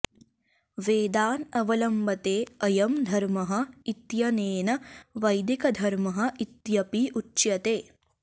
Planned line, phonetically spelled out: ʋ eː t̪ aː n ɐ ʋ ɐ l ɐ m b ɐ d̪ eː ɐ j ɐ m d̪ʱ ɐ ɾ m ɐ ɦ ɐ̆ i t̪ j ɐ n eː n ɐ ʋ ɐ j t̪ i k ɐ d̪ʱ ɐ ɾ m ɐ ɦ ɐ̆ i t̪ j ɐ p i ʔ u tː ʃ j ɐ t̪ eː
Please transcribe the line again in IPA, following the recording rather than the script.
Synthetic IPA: ʋ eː d̪ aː n ɐ ʋ ɐ l ɐ m b ɐ t̪ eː ɐ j ɐ m d̪ʱ ɐ ɾ m ɐ ɦ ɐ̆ i t̪ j ɐ n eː n ɐ ʋ ɐ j d̪ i k ɐ d̪ʱ ɐ ɾ m ɐ ɦ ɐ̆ i t̪ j ɐ p i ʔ u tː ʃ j ɐ t̪ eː